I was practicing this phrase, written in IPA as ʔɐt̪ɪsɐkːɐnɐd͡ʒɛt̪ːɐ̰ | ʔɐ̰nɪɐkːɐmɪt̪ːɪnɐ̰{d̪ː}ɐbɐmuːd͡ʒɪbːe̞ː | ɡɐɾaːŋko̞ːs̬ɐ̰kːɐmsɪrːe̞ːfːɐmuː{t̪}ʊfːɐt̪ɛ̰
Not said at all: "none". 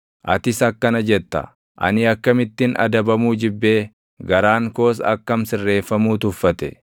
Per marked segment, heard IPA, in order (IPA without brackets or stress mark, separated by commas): d̪, t̪